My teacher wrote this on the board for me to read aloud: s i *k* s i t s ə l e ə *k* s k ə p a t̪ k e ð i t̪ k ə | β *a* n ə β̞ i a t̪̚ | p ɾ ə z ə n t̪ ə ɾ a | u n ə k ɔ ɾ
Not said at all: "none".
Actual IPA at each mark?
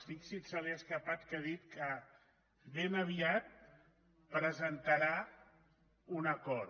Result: k, none, e

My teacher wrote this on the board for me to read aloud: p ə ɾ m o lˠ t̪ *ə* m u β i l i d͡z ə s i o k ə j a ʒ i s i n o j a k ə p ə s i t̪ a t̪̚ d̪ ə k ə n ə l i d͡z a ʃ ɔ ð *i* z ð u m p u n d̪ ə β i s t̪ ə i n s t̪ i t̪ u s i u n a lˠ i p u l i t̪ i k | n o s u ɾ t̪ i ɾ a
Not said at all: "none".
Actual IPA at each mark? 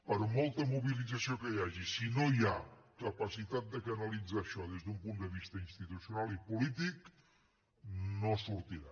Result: ə, e

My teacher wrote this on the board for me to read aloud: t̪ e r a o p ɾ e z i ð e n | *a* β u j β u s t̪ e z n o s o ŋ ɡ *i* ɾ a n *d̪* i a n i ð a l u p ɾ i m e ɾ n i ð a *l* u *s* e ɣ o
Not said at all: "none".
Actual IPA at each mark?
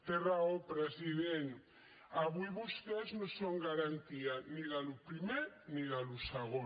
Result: a, a, t̪, l, s

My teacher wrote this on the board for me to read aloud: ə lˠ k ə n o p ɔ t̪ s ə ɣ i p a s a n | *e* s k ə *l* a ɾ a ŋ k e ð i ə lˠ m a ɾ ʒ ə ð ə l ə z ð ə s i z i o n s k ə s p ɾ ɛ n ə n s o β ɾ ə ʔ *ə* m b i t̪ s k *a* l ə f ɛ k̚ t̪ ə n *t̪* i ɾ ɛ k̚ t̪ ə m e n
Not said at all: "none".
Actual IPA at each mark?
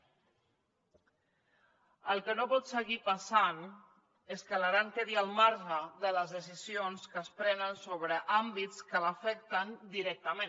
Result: e, l, a, ə, d̪

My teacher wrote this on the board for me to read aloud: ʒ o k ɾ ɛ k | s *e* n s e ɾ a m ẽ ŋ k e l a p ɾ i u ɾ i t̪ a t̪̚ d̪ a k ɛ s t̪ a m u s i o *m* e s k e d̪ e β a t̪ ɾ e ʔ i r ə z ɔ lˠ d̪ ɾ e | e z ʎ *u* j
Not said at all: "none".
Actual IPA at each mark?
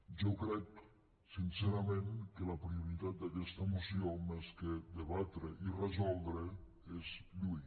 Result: i, m, u

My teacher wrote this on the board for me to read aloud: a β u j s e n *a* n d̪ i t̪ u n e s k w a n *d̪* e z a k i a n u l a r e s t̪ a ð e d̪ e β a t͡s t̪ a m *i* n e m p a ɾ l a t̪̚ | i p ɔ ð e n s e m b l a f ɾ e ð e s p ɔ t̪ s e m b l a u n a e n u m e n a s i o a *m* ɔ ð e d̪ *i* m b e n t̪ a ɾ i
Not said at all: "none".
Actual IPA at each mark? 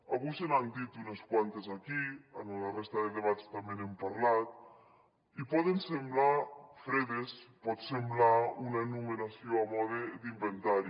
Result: a, t̪, e, m, i

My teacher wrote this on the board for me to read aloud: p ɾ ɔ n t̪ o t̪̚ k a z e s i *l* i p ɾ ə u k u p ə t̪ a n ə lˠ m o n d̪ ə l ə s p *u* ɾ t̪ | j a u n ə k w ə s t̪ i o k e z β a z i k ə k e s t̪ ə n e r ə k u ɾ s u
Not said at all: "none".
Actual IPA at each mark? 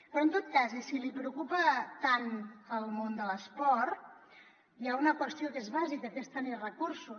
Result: l, ɔ

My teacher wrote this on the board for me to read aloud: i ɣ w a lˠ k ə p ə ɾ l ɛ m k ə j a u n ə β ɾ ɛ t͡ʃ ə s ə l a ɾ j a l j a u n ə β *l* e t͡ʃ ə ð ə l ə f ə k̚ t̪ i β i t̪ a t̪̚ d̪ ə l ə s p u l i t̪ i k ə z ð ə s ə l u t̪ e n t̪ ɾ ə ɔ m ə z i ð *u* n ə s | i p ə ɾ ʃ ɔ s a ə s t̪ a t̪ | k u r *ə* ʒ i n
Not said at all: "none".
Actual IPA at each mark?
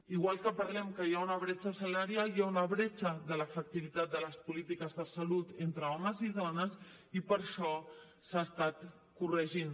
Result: ɾ, ɔ, ə

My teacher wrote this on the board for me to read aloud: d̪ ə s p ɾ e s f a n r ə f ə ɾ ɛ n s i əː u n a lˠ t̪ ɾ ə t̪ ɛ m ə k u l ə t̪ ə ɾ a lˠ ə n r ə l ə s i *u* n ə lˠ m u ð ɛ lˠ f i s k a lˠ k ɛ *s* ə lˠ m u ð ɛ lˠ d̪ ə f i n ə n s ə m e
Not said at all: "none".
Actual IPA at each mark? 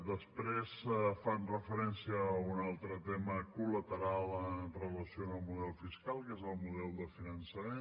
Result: o, z

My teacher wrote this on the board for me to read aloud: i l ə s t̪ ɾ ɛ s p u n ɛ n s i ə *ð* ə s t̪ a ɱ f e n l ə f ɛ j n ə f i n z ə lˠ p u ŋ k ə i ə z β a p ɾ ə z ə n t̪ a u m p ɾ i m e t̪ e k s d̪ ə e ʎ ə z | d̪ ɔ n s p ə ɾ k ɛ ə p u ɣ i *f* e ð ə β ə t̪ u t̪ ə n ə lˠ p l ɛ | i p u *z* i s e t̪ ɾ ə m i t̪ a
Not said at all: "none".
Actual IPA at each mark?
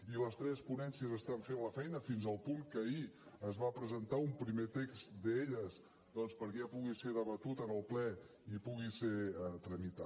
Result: z, s, ɣ

